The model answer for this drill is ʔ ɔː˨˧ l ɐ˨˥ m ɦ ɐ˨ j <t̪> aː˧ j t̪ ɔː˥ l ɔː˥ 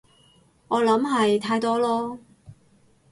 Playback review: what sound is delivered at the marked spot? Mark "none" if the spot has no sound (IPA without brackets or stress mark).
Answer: t̪ʰ